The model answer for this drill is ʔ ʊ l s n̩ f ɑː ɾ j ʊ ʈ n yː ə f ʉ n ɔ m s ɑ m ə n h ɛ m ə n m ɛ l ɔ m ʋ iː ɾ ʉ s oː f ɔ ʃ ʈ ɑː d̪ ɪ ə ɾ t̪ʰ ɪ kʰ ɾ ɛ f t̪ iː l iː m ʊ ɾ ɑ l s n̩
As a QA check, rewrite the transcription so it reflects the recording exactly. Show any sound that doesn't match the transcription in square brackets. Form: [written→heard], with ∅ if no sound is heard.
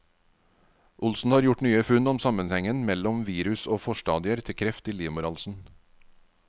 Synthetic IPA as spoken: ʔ ʊ l s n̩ [f→h] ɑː ɾ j ʊ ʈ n yː ə f ʉ n ɔ m s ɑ m ə n h ɛ [m→ŋ] ə n m ɛ l ɔ m ʋ iː ɾ ʉ s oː f ɔ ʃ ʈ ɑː d̪ ɪ ə ɾ t̪ʰ ɪ kʰ ɾ ɛ f t̪ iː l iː m ʊ ɾ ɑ l s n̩